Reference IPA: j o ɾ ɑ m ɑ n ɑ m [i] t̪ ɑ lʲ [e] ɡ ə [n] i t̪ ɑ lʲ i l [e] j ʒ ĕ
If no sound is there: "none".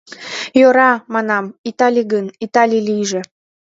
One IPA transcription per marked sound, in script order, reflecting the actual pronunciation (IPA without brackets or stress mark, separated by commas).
i, i, n, i